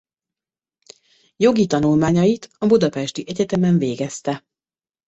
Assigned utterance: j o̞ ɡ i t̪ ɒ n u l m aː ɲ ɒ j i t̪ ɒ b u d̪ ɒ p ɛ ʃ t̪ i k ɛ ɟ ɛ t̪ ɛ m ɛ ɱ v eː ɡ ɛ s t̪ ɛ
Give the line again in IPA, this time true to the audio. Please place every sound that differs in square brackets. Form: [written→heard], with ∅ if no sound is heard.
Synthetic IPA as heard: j o̞ ɡ i t̪ ɒ n u l m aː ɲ ɒ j i t̪ ɒ b u d̪ ɒ p ɛ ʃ t̪ i [k→ʔ] ɛ ɟ ɛ t̪ ɛ m ɛ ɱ v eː ɡ ɛ s t̪ ɛ